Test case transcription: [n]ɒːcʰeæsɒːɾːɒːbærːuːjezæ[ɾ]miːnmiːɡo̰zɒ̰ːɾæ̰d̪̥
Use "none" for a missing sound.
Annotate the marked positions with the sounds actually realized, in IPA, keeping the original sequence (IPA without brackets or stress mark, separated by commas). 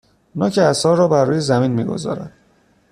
n, none